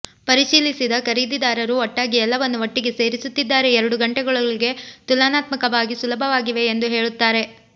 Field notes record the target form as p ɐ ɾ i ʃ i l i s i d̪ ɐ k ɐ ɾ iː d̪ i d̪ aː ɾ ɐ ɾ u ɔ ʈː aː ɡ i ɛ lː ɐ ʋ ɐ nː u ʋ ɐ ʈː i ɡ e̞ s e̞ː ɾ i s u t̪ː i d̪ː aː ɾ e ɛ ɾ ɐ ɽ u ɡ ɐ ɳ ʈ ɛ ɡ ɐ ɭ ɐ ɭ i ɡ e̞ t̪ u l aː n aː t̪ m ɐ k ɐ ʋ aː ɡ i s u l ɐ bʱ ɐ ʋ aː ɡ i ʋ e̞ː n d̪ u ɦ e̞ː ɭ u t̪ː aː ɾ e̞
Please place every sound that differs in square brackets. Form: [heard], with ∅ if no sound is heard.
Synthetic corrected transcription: p ɐ ɾ i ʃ [iː] l i s i d̪ ɐ k ɐ ɾ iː d̪ i d̪ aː ɾ ɐ ɾ u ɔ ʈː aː ɡ i ɛ lː ɐ ʋ ɐ nː u ʋ ɐ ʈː i ɡ e̞ s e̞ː ɾ i s u t̪ː i d̪ː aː ɾ e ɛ ɾ ɐ ɽ u ɡ ɐ ɳ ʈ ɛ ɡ ɐ ɭ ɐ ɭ i ɡ e̞ t̪ u l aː n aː t̪ m ɐ k ɐ ʋ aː ɡ i s u l ɐ bʱ ɐ ʋ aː ɡ i ʋ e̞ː n d̪ u ɦ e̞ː ɭ u t̪ː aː ɾ e̞